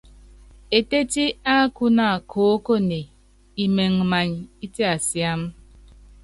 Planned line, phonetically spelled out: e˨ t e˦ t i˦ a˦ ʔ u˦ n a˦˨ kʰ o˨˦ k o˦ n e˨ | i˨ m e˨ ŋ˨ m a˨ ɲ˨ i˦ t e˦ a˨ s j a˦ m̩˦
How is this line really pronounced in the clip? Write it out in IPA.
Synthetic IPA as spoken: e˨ t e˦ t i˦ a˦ k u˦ n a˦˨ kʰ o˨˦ k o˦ n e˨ | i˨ m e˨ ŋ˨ m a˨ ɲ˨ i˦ t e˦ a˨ s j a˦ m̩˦